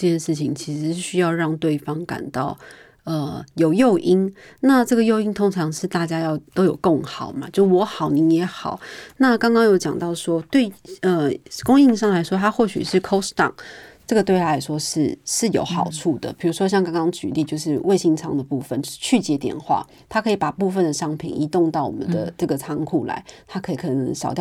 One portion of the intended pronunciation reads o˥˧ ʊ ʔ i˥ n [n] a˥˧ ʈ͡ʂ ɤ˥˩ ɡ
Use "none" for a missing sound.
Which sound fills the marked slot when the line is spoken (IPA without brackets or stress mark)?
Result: n